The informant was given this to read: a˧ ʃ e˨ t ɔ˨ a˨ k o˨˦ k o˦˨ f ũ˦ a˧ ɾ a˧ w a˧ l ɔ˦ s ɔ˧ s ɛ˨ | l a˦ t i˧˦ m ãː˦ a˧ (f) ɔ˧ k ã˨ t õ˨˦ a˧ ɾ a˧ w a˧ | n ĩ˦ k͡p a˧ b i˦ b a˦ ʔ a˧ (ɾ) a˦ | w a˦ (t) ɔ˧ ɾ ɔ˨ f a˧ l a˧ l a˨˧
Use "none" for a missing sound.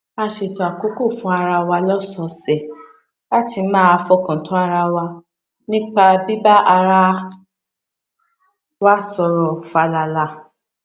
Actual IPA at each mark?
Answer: f, ɾ, s

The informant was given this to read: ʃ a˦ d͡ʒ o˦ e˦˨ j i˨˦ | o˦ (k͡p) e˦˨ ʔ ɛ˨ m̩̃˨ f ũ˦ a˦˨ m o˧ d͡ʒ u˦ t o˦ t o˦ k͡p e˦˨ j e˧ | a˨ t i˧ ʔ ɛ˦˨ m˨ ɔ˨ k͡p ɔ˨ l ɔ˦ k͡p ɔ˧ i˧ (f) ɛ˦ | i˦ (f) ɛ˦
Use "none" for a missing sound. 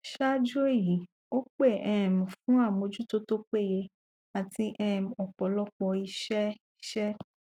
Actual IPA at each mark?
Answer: k͡p, ʃ, ʃ

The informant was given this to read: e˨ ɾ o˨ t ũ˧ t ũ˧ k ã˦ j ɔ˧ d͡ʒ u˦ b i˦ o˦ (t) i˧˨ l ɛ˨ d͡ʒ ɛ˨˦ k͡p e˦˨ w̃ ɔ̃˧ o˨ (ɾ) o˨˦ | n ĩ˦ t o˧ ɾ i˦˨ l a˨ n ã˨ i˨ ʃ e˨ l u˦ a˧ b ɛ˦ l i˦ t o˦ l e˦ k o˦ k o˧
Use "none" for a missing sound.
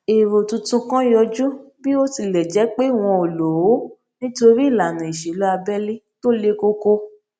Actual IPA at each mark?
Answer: t, l

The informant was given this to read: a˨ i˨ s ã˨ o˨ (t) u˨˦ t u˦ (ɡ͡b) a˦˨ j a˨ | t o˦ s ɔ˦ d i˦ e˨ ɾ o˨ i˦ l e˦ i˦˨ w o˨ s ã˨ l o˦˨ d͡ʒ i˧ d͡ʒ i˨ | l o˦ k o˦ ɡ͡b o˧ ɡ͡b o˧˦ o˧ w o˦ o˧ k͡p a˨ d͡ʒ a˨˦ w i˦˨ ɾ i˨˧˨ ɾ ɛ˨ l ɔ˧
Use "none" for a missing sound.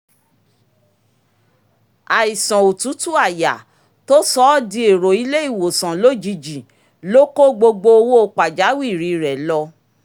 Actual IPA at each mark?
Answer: t, none

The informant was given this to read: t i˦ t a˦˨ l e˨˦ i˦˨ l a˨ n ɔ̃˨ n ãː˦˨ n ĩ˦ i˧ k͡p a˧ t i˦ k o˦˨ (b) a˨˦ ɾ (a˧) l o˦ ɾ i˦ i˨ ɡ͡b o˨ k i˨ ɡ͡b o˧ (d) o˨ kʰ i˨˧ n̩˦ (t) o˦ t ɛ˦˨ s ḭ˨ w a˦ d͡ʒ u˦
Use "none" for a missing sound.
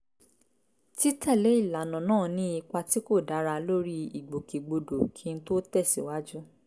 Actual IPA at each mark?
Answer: d, a˧, d, t

